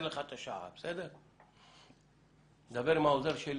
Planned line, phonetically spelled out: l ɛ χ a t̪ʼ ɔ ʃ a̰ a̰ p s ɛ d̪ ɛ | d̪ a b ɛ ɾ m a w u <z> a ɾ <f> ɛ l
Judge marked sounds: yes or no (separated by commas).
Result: yes, no